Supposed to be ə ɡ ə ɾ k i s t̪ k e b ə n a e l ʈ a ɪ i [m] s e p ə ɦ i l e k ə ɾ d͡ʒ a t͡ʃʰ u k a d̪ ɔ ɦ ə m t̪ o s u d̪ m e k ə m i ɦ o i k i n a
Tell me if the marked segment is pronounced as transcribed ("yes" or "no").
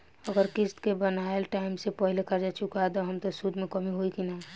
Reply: yes